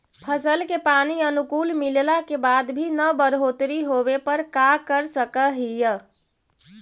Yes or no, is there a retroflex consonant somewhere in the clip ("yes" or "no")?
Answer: no